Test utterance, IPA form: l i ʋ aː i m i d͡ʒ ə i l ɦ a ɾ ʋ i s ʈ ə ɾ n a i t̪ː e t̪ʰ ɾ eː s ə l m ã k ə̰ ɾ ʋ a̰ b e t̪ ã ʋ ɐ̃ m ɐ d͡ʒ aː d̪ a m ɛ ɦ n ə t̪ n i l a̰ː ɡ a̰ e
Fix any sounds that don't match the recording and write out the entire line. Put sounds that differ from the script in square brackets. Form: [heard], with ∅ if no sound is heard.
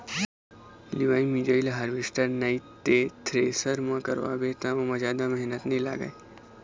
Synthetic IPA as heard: l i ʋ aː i m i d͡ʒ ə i l ɦ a ɾ ʋ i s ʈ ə ɾ n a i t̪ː e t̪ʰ ɾ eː s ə [ɾ] m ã k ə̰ ɾ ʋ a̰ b e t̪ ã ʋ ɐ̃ m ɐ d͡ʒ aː d̪ a m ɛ ɦ n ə t̪ n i l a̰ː ɡ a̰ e

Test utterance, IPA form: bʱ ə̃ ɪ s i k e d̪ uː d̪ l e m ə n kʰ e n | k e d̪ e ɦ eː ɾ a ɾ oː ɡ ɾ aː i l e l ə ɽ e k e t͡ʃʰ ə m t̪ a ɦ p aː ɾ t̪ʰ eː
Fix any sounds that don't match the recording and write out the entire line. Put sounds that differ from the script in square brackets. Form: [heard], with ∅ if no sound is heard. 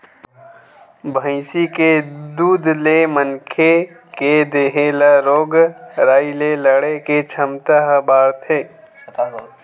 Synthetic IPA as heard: bʱ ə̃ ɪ s i k e d̪ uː d̪ l e m ə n kʰ e [∅] | k e d̪ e ɦ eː [l] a ɾ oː ɡ ɾ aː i l e l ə ɽ e k e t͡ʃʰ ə m t̪ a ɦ [b] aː ɾ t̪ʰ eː

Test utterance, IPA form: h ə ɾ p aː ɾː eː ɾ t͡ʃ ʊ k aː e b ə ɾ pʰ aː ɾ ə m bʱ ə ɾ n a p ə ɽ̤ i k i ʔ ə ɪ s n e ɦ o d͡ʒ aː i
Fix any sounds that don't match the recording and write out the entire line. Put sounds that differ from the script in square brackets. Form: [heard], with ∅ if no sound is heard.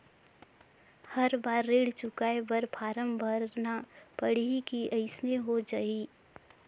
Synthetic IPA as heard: h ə ɾ [b] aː ɾː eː [ɽ] t͡ʃ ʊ k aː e b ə ɾ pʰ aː ɾ ə m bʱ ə ɾ n a p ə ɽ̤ i k i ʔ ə ɪ s n e ɦ o d͡ʒ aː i

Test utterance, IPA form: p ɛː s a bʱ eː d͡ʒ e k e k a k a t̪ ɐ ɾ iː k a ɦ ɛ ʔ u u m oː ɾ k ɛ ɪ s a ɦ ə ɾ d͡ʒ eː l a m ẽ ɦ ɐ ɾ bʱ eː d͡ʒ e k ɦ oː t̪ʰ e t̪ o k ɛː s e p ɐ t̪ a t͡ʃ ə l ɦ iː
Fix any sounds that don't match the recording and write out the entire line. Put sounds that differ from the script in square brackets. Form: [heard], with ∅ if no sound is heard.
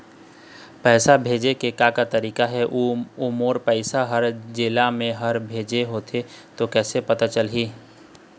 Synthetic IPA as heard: p ɛː s a bʱ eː d͡ʒ e k e k a k a t̪ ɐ ɾ iː k a ɦ ɛ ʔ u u m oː ɾ [p] ɛ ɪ s a ɦ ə ɾ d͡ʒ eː l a m ẽ ɦ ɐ ɾ bʱ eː d͡ʒ e [∅] ɦ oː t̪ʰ e t̪ o k ɛː s e p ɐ t̪ a t͡ʃ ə l ɦ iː

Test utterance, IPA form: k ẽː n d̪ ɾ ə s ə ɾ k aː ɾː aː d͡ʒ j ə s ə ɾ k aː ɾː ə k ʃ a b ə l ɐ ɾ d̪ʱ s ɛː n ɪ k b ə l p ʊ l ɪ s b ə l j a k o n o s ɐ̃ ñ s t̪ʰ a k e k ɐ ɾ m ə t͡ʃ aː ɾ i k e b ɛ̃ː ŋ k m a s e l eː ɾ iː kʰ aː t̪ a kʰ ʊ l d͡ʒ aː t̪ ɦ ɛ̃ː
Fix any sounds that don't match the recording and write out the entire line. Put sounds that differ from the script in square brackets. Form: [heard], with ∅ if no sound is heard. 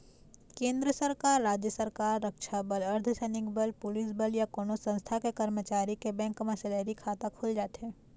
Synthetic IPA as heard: k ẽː n d̪ ɾ ə s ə ɾ k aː ɾː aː d͡ʒ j ə s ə ɾ k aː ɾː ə k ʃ a b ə l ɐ ɾ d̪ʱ s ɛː n ɪ k b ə l p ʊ l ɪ s b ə l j a k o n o s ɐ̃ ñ s t̪ʰ a k e k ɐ ɾ m ə t͡ʃ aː ɾ i k e b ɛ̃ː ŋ k m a s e l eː ɾ [i] kʰ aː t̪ a kʰ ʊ l d͡ʒ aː t̪ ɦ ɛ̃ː

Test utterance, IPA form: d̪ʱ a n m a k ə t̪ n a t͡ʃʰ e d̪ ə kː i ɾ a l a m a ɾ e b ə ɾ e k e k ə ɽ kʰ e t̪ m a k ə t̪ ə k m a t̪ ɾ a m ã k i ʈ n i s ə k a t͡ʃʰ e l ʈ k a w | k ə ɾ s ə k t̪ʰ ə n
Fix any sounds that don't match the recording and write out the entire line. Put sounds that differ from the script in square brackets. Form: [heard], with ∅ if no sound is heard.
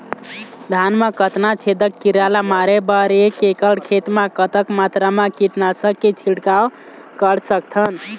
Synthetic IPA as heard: d̪ʱ a n m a k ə t̪ n a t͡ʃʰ e d̪ ə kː i ɾ a l a m a ɾ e b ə ɾ e k e k ə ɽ kʰ e t̪ m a k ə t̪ ə k m a t̪ ɾ a m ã k i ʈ n [a] s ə k [e] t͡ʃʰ [i] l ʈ k a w | k ə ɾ s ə k t̪ʰ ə n

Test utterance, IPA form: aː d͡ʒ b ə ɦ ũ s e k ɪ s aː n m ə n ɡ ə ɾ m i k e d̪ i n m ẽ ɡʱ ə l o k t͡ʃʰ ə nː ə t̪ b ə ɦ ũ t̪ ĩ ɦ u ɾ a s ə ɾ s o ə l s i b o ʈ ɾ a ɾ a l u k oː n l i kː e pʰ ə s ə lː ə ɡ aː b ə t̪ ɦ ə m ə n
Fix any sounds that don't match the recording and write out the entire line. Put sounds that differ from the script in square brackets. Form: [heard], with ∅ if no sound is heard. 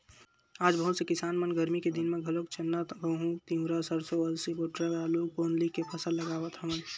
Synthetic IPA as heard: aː d͡ʒ b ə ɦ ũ s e k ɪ s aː n m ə n ɡ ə ɾ m i k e d̪ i n m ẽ ɡʱ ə l o k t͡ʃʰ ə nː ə t̪ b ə ɦ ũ t̪ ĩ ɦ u ɾ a s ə ɾ s o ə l s i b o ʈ ɾ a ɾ a l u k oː n l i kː e pʰ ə s ə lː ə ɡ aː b ə t̪ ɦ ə m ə n

